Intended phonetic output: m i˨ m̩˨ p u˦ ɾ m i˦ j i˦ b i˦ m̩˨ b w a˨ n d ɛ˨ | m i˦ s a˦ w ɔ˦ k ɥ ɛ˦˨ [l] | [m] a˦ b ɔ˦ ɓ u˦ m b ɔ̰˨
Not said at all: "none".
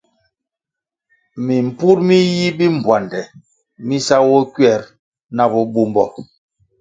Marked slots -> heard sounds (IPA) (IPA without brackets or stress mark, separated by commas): ɾ, n